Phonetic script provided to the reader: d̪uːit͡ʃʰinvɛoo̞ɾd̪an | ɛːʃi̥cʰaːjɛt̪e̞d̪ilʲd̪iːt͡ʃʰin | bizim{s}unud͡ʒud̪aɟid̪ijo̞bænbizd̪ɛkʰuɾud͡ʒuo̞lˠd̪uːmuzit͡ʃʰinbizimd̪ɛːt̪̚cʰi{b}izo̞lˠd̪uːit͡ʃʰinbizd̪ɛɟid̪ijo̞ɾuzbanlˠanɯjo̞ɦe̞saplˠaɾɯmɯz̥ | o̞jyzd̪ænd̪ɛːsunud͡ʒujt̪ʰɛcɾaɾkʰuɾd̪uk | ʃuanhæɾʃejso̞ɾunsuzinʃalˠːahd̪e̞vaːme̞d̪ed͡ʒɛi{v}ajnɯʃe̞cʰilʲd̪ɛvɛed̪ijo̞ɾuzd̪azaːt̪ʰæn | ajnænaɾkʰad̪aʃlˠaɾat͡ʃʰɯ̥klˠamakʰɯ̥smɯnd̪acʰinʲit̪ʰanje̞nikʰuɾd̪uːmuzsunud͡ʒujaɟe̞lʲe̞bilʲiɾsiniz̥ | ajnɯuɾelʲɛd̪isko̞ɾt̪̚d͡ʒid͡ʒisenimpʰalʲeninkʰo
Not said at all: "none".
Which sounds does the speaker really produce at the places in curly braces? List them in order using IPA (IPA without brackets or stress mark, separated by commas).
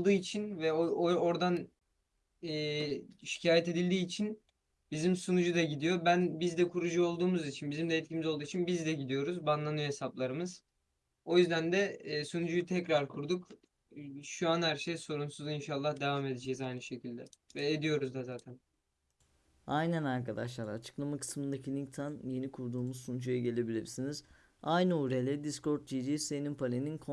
s, m, z